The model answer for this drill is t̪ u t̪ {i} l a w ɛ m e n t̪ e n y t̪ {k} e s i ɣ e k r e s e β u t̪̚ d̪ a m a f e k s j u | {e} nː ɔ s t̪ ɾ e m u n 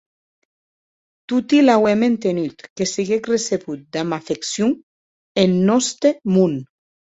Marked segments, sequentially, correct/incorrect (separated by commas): correct, correct, correct